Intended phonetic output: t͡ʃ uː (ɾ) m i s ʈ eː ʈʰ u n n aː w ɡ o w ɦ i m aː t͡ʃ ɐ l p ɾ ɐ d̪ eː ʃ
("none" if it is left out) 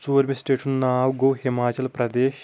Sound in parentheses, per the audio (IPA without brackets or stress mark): ɾ